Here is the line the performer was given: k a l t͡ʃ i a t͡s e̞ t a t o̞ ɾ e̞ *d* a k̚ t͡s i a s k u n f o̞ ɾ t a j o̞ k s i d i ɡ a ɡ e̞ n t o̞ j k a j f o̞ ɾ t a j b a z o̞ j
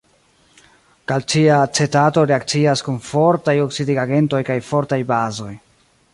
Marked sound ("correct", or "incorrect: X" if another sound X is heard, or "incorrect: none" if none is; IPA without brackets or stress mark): incorrect: none